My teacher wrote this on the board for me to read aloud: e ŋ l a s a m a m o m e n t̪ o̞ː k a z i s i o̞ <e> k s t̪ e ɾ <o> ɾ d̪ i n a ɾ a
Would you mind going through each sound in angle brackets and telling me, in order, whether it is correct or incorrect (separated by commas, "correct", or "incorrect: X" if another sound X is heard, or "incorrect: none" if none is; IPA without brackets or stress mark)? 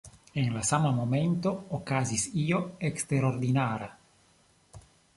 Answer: correct, correct